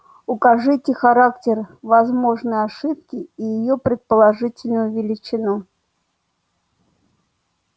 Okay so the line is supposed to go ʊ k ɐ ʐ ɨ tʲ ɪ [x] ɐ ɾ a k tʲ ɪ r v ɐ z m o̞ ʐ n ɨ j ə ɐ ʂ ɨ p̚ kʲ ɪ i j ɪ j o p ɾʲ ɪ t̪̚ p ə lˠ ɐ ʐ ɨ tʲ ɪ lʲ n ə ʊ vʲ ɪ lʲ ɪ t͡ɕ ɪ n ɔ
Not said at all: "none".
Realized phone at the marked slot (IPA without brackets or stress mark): x